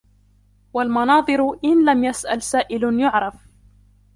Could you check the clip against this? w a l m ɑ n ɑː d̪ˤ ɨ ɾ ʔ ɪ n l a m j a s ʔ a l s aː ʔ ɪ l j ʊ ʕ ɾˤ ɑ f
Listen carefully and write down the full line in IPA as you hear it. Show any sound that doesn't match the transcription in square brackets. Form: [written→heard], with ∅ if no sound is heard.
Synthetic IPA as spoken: w a l m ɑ n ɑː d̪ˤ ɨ ɾ ʔ ɪ n l a m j a s ʔ a l s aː ʔ ɪ l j ʊ ʕ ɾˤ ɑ f